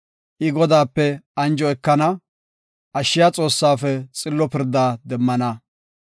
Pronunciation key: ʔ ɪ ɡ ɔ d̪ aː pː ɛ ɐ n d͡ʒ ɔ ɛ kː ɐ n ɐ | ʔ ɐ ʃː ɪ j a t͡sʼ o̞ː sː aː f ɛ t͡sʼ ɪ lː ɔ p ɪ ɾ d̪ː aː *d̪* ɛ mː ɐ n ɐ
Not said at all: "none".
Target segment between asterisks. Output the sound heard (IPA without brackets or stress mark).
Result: d̪